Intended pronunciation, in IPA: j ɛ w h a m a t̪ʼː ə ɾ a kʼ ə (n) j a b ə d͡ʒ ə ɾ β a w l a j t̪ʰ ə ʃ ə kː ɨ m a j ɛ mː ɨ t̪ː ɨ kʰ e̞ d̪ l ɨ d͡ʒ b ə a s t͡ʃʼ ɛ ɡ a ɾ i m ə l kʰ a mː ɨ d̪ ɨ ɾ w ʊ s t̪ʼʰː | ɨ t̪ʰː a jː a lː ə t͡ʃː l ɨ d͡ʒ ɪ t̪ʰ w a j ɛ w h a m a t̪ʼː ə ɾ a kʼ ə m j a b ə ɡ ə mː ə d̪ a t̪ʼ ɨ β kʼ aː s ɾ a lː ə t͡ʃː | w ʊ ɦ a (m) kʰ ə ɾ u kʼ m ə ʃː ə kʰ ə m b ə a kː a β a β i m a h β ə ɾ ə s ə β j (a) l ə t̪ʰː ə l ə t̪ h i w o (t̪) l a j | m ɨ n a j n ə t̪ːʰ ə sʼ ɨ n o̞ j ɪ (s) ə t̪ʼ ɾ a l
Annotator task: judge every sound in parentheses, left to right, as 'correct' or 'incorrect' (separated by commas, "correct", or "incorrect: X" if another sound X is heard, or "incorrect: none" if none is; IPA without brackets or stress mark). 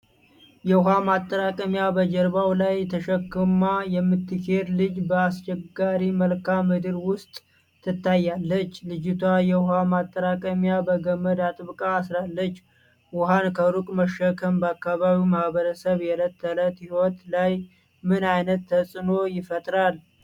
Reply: incorrect: m, incorrect: n, incorrect: ɛ, correct, incorrect: f